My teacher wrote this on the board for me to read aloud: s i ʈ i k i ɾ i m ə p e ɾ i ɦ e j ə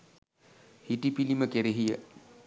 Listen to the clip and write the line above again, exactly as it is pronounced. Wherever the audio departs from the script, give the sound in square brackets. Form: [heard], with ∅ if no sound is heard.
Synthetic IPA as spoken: [h] i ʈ i [p] i [l] i m ə [k] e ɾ [e] ɦ [i] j ə